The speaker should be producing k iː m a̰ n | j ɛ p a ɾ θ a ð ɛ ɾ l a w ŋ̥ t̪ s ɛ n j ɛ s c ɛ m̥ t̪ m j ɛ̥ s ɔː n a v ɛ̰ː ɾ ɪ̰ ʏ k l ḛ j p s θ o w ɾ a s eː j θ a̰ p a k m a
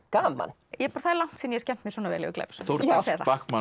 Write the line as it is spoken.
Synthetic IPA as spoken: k aː m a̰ n | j ɛ p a ɾ θ a ð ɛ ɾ l a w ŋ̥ t̪ s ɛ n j ɛ s c ɛ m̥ t̪ m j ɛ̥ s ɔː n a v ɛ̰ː l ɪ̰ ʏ k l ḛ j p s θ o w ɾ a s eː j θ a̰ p a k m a